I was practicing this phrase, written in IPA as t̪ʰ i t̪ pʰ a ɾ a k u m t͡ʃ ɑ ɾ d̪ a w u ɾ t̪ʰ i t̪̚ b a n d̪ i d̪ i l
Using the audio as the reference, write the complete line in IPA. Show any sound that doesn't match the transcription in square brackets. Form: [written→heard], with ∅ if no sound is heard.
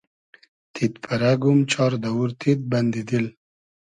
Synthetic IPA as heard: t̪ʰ i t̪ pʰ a ɾ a [k→ɡ] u m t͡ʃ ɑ ɾ d̪ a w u ɾ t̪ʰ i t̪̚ b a n d̪ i d̪ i l